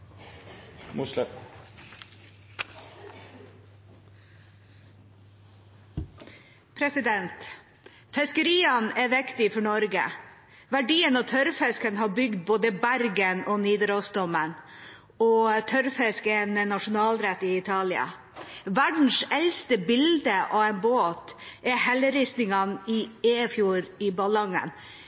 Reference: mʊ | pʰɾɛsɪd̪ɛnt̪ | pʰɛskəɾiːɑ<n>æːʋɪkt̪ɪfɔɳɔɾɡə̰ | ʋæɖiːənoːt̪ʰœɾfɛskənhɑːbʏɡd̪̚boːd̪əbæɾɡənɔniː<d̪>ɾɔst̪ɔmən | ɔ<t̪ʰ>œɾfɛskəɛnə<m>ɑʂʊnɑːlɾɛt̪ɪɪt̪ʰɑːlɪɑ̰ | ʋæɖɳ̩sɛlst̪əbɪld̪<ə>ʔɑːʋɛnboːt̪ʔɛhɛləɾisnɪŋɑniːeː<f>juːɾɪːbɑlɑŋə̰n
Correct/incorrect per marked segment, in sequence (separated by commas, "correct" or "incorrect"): correct, correct, correct, incorrect, correct, correct